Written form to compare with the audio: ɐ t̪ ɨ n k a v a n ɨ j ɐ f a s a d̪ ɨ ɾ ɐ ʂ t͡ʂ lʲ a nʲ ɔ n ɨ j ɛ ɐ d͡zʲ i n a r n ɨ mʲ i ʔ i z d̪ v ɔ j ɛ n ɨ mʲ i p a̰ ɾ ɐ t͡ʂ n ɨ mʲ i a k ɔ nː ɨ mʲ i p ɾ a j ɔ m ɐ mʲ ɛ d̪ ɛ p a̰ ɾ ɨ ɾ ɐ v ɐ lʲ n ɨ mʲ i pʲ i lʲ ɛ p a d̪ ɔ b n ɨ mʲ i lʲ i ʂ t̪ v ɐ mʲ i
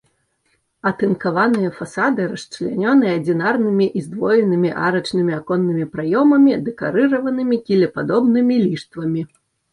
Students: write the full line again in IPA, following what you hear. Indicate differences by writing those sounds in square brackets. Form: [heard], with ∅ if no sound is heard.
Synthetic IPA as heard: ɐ t̪ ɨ n k a v a n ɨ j ɐ f a s a d̪ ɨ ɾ ɐ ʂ t͡ʂ lʲ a nʲ ɔ n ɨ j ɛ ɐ d͡zʲ i n a r n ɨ mʲ i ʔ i z d̪ v ɔ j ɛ n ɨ mʲ i [ʔ] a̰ ɾ ɐ t͡ʂ n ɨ mʲ i a k ɔ nː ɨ mʲ i p ɾ a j ɔ m ɐ mʲ [i] d̪ ɛ [k] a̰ ɾ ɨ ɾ ɐ v ɐ [∅] n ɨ mʲ i [kʲ] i lʲ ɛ p a d̪ ɔ b n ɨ mʲ i lʲ i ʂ t̪ v ɐ mʲ i